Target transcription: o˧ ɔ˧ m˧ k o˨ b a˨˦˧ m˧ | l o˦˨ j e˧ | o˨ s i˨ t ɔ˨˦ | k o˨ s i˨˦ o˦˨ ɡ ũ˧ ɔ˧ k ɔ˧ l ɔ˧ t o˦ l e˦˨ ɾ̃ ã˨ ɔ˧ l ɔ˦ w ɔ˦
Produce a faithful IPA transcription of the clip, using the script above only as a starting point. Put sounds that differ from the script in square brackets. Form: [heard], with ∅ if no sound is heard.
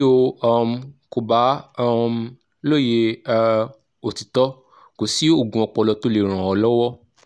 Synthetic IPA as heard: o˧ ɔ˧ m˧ k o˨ b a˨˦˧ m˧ | l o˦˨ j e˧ | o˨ [t] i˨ t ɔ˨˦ | k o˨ s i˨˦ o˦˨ ɡ ũ˧ ɔ˧ [k͡p] ɔ˧ l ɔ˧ t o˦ l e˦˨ ɾ̃ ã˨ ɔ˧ l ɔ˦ w ɔ˦